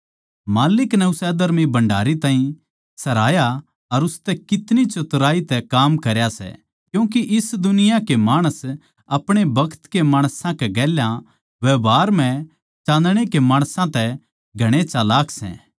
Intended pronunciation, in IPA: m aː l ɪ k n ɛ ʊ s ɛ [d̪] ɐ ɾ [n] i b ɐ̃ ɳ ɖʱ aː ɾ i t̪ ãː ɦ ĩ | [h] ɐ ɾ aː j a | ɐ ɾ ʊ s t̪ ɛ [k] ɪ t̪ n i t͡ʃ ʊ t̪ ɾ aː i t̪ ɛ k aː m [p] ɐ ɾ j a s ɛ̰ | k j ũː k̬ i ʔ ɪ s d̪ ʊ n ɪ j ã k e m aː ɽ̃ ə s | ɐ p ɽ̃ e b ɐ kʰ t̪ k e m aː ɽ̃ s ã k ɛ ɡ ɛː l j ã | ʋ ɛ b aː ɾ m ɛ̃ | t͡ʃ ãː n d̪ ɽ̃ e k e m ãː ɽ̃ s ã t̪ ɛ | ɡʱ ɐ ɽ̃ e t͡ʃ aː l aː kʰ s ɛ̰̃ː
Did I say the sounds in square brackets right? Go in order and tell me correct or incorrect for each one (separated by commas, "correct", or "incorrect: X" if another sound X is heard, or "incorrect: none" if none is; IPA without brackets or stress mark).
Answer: correct, incorrect: m, incorrect: s, correct, incorrect: k